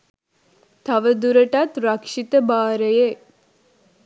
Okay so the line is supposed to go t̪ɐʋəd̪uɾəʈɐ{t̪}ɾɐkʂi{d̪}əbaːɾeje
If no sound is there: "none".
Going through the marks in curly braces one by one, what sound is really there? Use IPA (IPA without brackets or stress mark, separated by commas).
t̪, t̪